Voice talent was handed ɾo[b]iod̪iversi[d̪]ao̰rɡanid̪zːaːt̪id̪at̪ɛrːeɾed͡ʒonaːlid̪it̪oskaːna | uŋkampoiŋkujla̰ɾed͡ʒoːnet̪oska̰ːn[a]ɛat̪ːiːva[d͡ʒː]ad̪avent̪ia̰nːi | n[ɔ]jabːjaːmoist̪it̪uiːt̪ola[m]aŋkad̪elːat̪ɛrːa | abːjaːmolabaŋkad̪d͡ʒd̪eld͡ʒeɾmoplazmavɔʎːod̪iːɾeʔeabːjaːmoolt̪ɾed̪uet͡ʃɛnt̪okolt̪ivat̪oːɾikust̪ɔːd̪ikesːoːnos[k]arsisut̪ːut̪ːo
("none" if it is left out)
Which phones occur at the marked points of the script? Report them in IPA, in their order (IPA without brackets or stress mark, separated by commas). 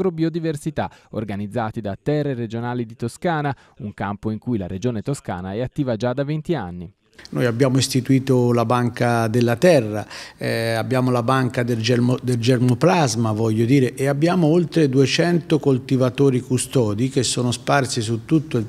b, t̪, a, d͡ʒ, o, b, p